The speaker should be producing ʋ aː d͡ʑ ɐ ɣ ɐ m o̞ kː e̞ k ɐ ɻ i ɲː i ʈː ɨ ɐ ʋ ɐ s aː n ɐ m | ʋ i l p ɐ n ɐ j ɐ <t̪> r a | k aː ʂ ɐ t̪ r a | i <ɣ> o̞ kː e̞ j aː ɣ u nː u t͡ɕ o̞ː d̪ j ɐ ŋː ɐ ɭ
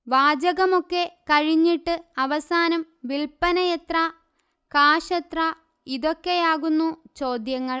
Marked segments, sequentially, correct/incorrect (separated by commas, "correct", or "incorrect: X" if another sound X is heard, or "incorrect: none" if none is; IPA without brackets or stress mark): correct, incorrect: ð